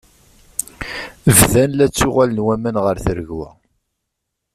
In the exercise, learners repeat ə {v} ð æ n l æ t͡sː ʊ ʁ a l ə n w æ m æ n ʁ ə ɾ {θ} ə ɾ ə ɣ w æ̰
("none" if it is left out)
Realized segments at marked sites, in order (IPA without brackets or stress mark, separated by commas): v, θ